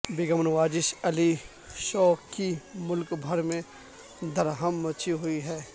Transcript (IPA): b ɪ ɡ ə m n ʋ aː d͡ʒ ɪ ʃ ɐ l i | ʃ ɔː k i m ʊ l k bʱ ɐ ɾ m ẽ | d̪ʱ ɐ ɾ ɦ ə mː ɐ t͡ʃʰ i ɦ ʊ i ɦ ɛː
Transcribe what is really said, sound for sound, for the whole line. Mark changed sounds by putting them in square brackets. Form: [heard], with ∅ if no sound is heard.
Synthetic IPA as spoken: b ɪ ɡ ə m n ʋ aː d͡ʒ ɪ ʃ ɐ l i | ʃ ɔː k i m ʊ l k bʱ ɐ ɾ m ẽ | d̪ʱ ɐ ɾ ɦ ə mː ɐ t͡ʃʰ i ɦ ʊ i ɦ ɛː